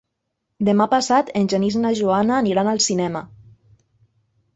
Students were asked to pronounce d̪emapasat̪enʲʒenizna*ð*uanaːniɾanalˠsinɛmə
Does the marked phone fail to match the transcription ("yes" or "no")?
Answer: yes